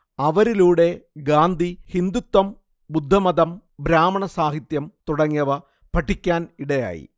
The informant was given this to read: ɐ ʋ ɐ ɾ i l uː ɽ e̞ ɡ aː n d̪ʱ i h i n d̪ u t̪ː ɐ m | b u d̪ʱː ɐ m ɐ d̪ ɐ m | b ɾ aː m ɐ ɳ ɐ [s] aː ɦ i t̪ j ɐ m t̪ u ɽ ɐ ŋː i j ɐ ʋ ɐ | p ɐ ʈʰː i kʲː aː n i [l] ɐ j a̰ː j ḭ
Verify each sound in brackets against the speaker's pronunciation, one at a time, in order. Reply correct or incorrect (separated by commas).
correct, incorrect